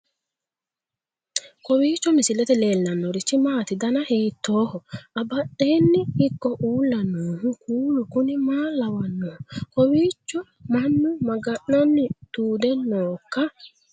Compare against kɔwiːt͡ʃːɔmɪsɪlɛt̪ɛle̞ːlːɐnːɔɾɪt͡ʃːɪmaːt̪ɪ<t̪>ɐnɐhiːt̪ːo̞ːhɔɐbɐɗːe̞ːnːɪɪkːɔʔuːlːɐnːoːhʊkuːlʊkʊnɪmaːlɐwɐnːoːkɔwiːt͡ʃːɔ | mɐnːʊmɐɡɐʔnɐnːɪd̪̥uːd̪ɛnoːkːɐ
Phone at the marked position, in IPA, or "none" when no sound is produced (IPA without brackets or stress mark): d̪